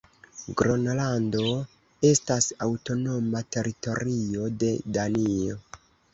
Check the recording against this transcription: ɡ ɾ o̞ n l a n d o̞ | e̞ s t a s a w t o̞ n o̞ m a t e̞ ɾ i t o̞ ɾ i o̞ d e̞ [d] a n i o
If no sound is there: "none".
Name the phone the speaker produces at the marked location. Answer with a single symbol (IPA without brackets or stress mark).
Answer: d